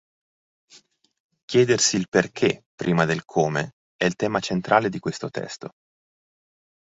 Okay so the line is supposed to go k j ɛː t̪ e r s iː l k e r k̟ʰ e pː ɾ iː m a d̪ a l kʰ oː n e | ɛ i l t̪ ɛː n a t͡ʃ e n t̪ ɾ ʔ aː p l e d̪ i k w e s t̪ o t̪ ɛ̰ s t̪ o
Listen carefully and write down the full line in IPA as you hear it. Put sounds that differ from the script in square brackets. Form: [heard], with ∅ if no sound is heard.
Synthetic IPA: k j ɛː [d̪] e r s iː l [p] e r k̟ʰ e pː ɾ iː m a d̪ [e] l kʰ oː [m] e | ɛ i l t̪ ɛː [m] a t͡ʃ e n t̪ ɾ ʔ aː [∅] l e d̪ i k w e s t̪ o t̪ ɛ̰ s t̪ o